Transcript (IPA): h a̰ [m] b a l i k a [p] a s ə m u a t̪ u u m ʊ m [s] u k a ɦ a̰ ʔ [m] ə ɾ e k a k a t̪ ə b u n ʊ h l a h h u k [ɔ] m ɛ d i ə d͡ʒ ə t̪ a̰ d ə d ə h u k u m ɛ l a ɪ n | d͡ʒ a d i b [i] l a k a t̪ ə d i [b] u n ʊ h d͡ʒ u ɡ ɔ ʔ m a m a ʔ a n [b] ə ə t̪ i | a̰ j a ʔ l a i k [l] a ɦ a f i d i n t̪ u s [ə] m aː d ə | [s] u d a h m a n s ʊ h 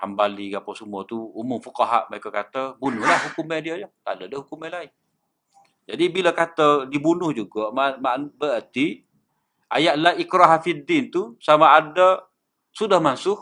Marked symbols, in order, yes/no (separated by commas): yes, yes, no, yes, no, yes, yes, yes, no, no, yes